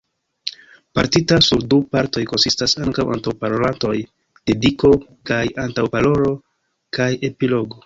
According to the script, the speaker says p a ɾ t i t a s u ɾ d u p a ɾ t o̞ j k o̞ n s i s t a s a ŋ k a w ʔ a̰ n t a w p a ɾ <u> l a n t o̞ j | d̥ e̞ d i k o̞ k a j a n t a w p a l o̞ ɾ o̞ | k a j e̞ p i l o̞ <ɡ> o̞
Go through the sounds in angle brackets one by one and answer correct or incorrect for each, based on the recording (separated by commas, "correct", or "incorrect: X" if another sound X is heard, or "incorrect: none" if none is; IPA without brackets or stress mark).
incorrect: o, correct